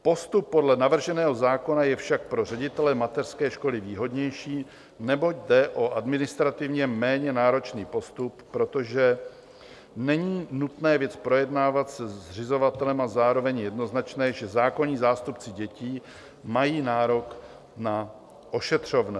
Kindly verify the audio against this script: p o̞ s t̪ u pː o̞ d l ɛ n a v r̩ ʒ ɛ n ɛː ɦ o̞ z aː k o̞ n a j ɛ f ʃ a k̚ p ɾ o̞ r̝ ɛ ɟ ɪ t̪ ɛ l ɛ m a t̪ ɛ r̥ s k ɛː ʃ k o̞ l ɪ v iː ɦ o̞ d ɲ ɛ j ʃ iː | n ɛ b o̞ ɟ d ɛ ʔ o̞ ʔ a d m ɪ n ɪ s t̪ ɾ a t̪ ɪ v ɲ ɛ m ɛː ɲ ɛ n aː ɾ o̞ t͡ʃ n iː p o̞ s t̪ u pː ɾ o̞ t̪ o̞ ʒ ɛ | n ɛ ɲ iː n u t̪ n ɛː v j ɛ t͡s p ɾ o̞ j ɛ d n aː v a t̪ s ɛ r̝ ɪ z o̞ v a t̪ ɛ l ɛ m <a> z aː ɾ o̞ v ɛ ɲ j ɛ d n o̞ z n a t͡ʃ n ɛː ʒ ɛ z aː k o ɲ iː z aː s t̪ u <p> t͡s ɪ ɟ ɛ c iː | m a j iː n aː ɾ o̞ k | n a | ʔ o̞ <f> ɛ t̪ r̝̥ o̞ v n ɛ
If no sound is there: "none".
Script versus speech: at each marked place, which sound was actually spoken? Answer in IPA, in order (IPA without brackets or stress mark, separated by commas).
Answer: a, p, ʃ